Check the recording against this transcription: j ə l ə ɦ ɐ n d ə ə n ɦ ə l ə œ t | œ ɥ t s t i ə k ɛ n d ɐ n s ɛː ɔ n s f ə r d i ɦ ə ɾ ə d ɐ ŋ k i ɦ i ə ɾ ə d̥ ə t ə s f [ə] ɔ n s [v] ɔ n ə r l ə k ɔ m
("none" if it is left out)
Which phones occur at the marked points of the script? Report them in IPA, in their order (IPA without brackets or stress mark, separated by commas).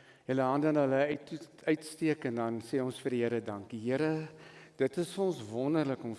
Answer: ə, v